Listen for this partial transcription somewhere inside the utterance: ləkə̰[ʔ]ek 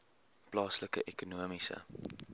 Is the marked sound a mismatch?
no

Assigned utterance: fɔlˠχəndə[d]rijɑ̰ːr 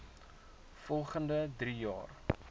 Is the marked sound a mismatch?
no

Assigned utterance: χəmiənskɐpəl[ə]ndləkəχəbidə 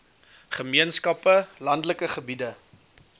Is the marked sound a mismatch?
yes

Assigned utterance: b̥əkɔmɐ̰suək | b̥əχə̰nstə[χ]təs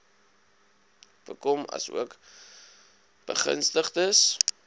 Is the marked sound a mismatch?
no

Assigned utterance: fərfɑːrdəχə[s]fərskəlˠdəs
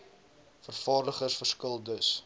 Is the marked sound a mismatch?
no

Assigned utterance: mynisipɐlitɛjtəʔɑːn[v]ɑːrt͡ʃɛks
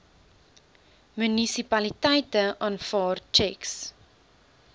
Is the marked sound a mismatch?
yes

